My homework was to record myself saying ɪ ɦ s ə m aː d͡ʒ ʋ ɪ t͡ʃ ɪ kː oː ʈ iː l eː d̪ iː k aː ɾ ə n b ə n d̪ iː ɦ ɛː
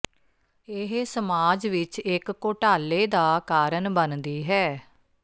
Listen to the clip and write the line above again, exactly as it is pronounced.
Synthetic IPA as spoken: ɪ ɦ s ə m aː d͡ʒ ʋ ɪ t͡ʃ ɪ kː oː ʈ aː l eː d̪ aː k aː ɾ ə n b ə n d̪ iː ɦ ɛː